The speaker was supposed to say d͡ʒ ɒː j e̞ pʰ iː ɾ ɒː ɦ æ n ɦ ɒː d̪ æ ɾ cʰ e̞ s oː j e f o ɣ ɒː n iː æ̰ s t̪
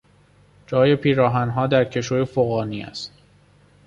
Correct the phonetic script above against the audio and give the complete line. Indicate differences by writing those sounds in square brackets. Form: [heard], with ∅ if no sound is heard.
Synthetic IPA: d͡ʒ ɒː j e̞ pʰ iː ɾ ɒː ɦ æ n ɦ ɒː d̪ æ ɾ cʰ e̞ [ʃ] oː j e f o ɣ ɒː n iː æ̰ s t̪